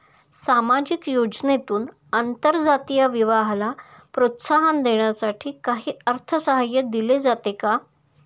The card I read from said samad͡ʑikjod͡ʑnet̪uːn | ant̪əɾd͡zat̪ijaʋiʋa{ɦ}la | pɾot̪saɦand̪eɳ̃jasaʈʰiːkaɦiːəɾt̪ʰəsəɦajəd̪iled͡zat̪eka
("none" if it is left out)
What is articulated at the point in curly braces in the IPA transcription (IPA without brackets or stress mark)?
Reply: ɦ